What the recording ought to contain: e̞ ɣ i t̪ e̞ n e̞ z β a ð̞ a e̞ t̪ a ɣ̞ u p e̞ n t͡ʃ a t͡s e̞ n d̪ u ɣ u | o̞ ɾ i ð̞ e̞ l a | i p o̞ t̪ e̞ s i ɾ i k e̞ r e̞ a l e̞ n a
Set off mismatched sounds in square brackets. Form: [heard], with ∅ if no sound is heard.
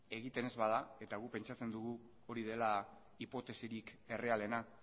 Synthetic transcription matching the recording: e̞ ɣ i t̪ e̞ n e̞ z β a ð̞ a e̞ t̪ a ɣ̞ u p e̞ n t͡ʃ a t͡s e̞ n d̪ u ɣ u | o̞ ɾ i ð̞ e̞ l a | i p o̞ t̪ e̞ s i ɾ i k e̞ r e̞ a l e̞ n a